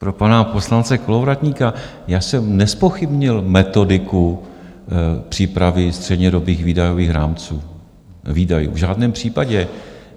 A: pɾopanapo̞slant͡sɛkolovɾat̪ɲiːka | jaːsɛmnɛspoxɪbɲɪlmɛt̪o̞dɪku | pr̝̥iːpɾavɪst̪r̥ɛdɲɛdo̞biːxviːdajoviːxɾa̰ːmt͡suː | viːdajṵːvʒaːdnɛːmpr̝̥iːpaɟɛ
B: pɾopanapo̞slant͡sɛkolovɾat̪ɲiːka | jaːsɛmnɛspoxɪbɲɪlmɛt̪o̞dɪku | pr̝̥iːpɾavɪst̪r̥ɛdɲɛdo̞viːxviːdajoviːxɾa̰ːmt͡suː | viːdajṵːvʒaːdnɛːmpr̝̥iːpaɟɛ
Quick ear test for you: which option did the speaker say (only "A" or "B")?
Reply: A